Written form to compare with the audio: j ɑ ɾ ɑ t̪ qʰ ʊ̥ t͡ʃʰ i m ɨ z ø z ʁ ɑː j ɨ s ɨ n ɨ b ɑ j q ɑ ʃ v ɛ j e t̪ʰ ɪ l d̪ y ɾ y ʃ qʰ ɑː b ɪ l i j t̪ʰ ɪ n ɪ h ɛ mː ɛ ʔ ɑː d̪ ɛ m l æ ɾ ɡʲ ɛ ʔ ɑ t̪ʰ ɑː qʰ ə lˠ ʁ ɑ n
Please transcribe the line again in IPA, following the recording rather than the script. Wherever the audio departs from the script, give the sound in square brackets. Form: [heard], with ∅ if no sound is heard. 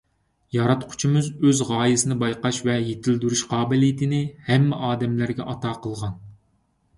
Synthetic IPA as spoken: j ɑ ɾ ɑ t̪ qʰ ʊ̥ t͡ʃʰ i m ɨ z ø z ʁ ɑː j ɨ s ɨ n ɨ b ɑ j q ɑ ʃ v ɛ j e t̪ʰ ɪ l d̪ y ɾ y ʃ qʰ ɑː b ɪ l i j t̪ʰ ɪ n ɪ h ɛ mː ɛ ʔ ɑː d̪ ɛ m l æ ɾ ɡʲ ɛ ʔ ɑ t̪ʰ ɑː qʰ ə lˠ ʁ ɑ n

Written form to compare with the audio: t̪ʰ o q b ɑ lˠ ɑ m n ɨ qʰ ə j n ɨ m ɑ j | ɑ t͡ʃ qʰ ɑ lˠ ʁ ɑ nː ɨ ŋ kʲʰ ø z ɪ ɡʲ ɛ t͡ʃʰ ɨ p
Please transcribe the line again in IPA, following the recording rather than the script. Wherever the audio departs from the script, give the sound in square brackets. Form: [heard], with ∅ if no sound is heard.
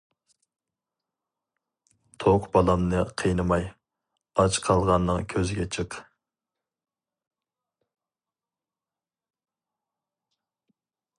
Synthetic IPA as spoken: t̪ʰ o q b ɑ lˠ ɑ m n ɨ qʰ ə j n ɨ m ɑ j | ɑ t͡ʃ qʰ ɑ lˠ ʁ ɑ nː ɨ ŋ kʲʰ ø z ɪ ɡʲ ɛ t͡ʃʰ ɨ [q]

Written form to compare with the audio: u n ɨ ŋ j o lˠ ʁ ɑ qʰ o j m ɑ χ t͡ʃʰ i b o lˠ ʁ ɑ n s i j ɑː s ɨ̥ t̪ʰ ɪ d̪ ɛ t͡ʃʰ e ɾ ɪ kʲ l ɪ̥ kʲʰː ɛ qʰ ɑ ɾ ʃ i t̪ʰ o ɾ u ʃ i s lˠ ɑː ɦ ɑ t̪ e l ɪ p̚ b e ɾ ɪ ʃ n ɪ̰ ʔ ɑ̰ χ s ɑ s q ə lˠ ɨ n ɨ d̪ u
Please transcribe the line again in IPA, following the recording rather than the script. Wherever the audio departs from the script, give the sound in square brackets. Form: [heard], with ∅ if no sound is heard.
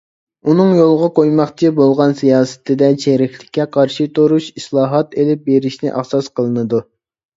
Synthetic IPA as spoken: u n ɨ ŋ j o lˠ ʁ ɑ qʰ o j m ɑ χ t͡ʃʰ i b o lˠ ʁ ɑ n s i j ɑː s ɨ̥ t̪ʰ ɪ d̪ ɛ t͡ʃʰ e ɾ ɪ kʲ l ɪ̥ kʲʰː ɛ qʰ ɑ ɾ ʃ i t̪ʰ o ɾ u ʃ i s lˠ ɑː ɦ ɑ t̪ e l ɪ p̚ b e ɾ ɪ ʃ n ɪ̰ ʔ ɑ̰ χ s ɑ s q ə lˠ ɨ n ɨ d̪ u

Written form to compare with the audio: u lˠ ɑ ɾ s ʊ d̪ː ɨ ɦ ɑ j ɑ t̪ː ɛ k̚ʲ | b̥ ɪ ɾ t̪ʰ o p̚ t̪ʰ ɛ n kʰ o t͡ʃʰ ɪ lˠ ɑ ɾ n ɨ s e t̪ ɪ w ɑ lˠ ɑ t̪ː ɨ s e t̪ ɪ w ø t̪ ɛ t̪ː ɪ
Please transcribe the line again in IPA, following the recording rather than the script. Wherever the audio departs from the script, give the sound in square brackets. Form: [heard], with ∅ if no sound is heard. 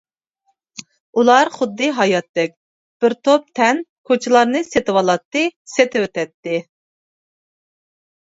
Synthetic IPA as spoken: u lˠ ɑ ɾ [χ] ʊ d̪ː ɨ ɦ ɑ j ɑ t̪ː ɛ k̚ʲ | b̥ ɪ ɾ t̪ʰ o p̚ t̪ʰ ɛ n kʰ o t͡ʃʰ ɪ lˠ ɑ ɾ n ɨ s e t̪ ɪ w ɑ lˠ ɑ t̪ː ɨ s e t̪ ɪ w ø t̪ ɛ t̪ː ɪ

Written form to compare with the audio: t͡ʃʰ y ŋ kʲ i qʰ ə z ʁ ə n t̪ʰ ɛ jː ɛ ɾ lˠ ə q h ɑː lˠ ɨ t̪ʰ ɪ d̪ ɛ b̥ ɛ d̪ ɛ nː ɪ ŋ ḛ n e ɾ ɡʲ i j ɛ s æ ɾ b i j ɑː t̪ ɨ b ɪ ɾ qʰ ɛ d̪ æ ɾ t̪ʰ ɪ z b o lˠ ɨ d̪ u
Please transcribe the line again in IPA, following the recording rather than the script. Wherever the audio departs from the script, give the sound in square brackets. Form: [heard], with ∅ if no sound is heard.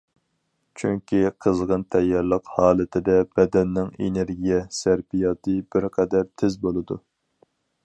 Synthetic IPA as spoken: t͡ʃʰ y ŋ kʲ i qʰ ə z ʁ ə n t̪ʰ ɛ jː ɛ ɾ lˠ ə q h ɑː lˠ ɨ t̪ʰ ɪ d̪ ɛ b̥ ɛ d̪ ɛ nː ɪ ŋ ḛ n e ɾ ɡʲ i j ɛ s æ ɾ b i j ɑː t̪ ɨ b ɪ ɾ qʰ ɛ d̪ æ ɾ t̪ʰ ɪ z b o lˠ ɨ d̪ u

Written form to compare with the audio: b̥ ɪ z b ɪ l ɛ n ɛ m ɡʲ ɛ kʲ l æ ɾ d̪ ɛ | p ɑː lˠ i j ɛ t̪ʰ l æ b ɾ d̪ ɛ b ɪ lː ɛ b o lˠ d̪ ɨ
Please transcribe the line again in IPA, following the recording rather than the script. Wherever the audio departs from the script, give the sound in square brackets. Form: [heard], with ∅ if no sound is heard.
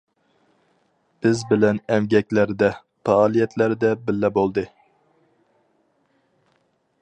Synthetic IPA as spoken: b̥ ɪ z b ɪ l ɛ n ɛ m ɡʲ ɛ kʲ l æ ɾ d̪ ɛ | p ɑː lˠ i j ɛ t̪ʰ l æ [∅] ɾ d̪ ɛ b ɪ lː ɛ b o lˠ d̪ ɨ

